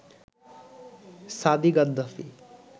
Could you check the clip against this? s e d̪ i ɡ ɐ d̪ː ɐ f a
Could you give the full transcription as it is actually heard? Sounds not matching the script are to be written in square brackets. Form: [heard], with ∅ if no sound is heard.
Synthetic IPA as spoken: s [a] d̪ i ɡ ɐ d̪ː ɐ f [i]